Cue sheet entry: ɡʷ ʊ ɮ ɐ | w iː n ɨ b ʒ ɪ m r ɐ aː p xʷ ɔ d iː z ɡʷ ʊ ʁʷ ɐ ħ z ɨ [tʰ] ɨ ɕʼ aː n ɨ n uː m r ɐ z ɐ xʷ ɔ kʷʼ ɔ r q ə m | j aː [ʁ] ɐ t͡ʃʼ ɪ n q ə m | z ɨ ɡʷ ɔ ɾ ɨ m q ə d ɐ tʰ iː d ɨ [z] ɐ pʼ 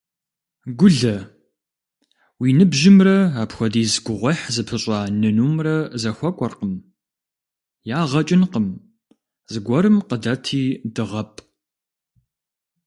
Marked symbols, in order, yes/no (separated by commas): no, yes, no